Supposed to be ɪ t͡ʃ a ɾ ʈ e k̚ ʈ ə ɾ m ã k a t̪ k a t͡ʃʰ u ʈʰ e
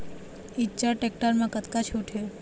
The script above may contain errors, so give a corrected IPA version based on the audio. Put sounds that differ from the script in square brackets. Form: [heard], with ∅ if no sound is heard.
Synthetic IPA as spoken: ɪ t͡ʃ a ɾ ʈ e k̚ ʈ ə ɾ m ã k [ə] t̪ k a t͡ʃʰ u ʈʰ e